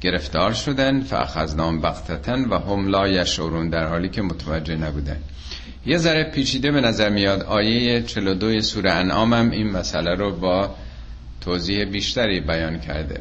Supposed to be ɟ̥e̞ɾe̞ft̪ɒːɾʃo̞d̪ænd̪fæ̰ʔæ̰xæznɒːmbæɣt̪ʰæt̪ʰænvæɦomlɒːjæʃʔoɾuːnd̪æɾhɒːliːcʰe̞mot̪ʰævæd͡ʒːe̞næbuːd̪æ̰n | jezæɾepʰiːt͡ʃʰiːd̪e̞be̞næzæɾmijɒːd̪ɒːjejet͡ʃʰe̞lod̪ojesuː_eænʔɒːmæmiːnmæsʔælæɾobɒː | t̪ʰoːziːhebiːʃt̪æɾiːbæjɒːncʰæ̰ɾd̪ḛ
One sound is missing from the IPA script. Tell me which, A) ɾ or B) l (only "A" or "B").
A